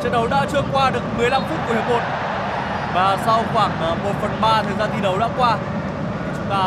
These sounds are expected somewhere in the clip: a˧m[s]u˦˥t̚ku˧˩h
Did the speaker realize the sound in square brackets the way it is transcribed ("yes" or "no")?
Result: no